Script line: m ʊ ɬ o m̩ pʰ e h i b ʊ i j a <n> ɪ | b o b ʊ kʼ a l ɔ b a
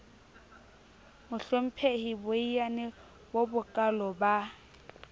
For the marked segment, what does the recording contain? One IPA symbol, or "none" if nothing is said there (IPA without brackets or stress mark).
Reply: n